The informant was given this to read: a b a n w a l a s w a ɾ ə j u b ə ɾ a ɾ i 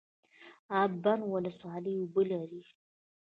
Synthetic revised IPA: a b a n w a l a s w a l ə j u b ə l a ɾ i